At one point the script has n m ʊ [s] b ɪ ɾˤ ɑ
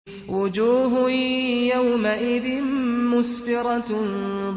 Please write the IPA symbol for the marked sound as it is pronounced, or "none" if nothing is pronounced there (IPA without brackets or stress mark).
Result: s